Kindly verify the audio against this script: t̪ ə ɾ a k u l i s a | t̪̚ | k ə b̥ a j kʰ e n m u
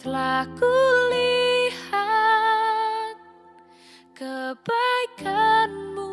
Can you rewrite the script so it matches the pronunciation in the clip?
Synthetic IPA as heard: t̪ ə l a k u l i h a | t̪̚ | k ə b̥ a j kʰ a n m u